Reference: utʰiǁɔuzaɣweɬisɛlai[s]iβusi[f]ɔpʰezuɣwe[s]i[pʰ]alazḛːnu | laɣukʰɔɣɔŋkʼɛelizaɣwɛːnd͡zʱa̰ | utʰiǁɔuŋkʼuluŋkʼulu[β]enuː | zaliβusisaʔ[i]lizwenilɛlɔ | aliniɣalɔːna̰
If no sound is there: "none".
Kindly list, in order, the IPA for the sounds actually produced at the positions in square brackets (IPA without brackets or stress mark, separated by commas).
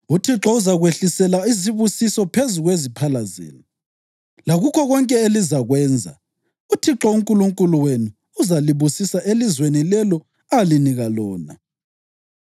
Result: z, s, z, pʰ, w, e